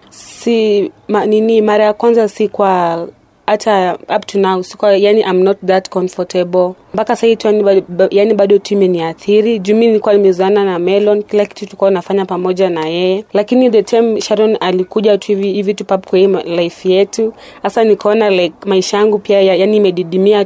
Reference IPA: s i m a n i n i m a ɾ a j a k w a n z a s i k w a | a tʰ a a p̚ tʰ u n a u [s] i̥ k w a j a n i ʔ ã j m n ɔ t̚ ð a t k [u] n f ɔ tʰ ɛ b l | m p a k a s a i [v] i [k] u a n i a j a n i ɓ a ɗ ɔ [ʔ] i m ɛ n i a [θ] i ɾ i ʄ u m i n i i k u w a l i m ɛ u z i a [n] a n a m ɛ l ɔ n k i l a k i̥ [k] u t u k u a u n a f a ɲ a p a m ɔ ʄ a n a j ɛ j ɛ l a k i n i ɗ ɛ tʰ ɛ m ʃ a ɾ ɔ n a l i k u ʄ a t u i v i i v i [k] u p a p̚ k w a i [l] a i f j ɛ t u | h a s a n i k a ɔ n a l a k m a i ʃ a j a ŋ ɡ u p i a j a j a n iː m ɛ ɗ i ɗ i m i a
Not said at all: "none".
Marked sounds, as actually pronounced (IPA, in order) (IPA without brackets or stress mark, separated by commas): s, ɔ, v, t, t, θ, n, t, t, l